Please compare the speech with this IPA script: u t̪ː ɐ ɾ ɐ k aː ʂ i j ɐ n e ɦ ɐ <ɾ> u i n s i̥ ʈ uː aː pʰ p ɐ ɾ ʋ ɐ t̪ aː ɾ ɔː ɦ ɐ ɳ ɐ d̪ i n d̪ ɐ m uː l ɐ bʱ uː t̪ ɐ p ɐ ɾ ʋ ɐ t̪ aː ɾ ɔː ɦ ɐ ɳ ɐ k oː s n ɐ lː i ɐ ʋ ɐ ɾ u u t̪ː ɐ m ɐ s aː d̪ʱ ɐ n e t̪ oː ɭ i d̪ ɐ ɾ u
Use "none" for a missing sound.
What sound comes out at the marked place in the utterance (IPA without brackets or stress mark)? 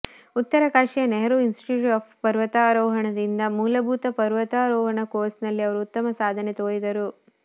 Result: ɾ